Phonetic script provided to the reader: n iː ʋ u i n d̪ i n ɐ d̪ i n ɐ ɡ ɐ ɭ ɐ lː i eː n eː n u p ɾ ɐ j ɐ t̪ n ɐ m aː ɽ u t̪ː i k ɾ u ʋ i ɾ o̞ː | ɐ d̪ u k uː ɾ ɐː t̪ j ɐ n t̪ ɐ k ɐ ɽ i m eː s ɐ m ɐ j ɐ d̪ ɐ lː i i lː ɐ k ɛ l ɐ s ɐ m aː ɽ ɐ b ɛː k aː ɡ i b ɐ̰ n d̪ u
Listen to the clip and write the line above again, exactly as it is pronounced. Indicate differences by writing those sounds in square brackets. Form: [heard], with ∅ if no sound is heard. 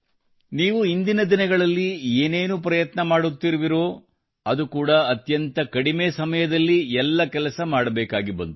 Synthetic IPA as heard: n iː ʋ u i n d̪ i n ɐ d̪ i n ɐ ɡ ɐ ɭ ɐ lː i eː n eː n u p ɾ ɐ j ɐ t̪ n ɐ m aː ɽ u t̪ː i [∅] ɾ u ʋ i ɾ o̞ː | ɐ d̪ u k uː [ɽ] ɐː t̪ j ɐ n t̪ ɐ k ɐ ɽ i m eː s ɐ m ɐ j ɐ d̪ ɐ lː i [ɛ] lː ɐ k ɛ l ɐ s ɐ m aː ɽ ɐ b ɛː k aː ɡ i b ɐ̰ n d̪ u